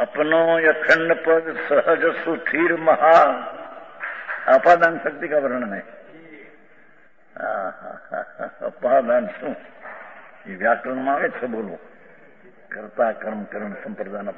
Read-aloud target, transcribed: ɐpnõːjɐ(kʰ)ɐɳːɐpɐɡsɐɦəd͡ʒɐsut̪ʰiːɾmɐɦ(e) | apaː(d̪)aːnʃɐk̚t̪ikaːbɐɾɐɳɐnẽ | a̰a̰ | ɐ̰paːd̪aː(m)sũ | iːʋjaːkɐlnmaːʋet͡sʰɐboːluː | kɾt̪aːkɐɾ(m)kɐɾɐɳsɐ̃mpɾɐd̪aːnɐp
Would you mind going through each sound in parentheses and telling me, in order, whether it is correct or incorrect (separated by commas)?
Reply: correct, incorrect, correct, incorrect, correct